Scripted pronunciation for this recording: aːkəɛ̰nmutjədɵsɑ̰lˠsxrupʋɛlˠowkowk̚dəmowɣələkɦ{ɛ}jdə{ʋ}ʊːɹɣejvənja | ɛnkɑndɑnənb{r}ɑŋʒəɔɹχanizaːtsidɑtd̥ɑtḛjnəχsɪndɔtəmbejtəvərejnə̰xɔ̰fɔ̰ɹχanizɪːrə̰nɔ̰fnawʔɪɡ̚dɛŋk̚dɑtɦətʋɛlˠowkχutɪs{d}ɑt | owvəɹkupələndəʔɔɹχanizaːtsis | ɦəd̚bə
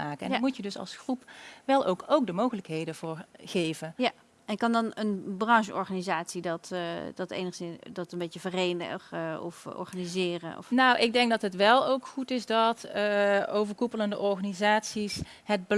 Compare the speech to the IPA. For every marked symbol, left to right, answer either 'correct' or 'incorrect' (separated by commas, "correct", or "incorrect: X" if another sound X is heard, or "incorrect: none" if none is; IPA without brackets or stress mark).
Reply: incorrect: e, incorrect: v, correct, correct